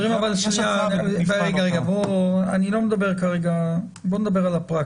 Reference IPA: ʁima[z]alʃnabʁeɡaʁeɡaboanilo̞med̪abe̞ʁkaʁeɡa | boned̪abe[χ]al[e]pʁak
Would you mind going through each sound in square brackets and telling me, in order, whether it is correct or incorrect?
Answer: incorrect, incorrect, incorrect

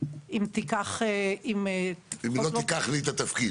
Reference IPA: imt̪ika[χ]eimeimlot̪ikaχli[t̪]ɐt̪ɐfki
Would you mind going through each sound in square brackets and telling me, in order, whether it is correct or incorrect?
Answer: correct, correct

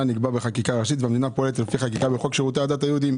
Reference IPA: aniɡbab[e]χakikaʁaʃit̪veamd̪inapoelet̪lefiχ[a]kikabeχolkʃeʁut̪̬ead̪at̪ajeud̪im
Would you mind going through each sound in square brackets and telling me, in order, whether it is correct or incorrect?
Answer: correct, correct

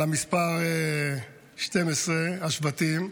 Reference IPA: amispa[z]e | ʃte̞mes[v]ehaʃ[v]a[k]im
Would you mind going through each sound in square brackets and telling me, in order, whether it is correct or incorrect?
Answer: incorrect, incorrect, correct, incorrect

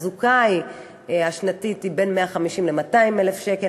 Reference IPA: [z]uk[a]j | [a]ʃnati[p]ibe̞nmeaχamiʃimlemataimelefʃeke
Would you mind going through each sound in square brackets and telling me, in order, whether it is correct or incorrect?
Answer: correct, correct, correct, incorrect

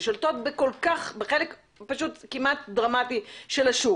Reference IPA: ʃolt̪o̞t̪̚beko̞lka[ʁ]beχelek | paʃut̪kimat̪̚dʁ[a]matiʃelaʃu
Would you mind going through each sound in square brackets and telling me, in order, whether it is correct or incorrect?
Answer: incorrect, correct

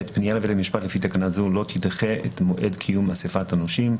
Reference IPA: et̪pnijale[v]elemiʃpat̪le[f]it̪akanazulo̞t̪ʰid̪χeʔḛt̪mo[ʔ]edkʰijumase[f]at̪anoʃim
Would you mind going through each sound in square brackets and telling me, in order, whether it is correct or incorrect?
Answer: correct, correct, correct, correct

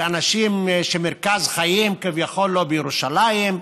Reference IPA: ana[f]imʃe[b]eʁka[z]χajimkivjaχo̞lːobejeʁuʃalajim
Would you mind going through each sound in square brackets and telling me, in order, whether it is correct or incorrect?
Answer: incorrect, incorrect, correct

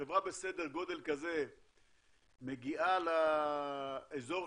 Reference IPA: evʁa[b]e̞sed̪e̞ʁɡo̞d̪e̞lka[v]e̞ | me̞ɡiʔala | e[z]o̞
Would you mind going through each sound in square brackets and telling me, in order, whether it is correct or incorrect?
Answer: correct, incorrect, correct

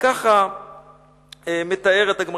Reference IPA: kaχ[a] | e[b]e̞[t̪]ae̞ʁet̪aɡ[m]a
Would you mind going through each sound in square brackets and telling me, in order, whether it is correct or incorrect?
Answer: correct, incorrect, correct, correct

